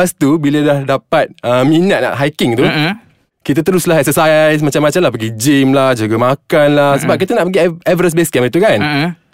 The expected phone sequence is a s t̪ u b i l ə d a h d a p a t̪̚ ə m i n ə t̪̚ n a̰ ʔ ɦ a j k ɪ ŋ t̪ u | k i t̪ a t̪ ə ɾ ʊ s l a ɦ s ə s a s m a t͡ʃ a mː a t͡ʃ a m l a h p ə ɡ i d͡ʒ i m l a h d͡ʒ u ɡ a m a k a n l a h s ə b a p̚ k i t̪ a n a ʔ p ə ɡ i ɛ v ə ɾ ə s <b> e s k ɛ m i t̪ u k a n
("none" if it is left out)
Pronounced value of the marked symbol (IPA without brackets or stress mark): b